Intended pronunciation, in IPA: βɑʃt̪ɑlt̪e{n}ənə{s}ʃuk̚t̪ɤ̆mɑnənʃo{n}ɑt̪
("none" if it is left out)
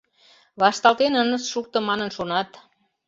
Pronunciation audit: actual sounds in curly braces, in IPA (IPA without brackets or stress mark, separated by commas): n, s, n